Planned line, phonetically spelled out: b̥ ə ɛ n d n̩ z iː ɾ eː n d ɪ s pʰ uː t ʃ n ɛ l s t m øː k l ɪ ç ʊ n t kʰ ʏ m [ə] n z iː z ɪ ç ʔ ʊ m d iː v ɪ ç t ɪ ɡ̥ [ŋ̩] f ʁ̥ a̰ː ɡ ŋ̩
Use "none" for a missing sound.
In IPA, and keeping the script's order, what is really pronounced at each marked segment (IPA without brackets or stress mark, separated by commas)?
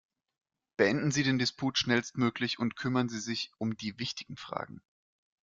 ɐ, ŋ̩